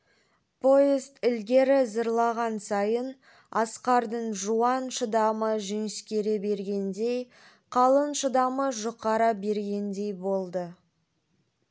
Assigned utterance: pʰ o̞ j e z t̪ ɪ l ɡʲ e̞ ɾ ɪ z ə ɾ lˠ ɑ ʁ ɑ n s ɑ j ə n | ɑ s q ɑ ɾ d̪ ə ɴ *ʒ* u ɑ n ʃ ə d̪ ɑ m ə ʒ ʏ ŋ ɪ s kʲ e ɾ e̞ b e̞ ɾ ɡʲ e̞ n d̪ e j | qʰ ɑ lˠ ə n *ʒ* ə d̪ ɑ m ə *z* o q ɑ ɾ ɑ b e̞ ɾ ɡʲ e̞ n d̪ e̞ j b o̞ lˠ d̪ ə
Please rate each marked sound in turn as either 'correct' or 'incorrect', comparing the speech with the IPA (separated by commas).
correct, incorrect, incorrect